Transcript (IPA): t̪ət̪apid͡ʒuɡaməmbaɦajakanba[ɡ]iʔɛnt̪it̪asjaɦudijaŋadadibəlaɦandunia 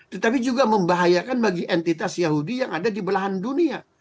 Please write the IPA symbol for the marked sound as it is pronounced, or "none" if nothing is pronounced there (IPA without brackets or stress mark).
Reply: ɡ